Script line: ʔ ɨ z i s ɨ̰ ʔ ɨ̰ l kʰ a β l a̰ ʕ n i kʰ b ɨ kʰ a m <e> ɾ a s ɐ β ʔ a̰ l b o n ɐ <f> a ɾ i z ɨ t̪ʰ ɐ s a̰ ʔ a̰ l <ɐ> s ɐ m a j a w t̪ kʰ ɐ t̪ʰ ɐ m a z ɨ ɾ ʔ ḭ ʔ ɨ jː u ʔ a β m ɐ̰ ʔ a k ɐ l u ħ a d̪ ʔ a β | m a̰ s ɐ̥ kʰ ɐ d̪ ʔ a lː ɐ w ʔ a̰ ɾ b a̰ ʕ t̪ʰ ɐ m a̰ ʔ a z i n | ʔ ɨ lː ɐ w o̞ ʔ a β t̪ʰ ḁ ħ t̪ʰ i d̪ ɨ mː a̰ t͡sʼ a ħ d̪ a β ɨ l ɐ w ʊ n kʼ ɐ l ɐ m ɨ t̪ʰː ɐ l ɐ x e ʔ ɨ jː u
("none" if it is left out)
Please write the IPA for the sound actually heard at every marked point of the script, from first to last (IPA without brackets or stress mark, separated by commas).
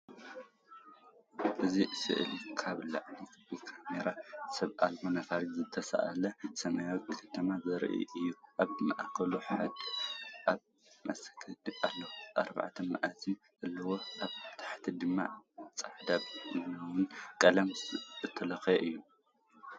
e, f, ɐ